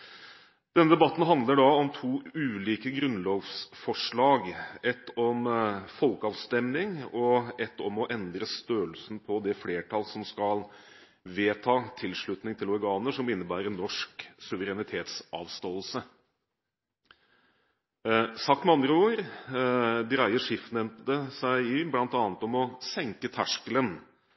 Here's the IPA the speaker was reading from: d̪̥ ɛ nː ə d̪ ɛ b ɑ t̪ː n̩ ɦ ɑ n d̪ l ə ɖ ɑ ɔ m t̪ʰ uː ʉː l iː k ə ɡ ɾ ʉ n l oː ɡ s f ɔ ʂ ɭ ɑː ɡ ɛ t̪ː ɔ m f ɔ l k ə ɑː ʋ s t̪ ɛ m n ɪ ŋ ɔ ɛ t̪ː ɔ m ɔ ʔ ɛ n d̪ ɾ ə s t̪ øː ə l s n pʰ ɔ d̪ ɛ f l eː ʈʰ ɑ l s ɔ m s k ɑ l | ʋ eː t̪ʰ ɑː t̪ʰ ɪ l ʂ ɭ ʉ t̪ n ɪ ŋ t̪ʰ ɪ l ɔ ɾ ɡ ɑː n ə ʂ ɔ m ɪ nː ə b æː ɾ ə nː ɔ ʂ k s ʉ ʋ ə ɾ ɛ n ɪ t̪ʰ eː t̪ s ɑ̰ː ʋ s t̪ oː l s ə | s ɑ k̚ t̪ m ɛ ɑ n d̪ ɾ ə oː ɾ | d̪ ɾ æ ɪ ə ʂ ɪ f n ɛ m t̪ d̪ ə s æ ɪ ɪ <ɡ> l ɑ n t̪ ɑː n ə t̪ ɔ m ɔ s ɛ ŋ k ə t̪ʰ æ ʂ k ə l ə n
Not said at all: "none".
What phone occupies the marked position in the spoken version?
b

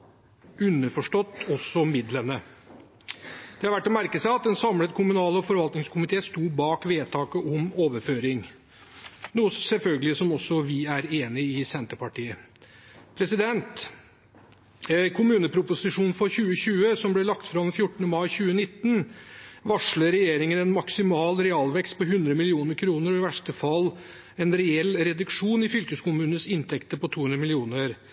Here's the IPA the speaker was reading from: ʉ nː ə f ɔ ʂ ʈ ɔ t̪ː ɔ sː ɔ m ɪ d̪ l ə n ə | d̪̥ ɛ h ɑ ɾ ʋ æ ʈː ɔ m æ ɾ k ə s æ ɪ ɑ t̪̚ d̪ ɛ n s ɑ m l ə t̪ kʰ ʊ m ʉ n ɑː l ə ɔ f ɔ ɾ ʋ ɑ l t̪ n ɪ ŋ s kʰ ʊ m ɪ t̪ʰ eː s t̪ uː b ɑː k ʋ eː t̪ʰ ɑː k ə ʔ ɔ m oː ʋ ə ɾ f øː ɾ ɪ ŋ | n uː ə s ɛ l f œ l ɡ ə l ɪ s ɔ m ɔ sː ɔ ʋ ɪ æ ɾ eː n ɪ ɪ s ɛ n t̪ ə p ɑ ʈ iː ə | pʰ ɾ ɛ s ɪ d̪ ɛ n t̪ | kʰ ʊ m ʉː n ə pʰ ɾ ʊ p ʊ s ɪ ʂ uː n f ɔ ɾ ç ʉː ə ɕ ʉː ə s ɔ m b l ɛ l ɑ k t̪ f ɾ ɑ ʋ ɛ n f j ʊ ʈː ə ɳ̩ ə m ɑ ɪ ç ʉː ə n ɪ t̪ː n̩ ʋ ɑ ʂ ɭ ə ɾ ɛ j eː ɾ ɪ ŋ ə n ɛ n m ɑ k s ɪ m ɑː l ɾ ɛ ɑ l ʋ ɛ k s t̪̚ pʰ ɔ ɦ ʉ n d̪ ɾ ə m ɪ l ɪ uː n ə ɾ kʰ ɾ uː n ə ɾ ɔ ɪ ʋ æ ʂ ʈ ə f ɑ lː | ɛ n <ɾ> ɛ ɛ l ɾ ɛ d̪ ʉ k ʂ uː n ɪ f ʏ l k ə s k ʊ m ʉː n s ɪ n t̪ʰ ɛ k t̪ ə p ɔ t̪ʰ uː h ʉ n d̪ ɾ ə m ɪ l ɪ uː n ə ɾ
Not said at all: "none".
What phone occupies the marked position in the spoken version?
ɾ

